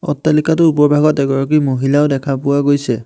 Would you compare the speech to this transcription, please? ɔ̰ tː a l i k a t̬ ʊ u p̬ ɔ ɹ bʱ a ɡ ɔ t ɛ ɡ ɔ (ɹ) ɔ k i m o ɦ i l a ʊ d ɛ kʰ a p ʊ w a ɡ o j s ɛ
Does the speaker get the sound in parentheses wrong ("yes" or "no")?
no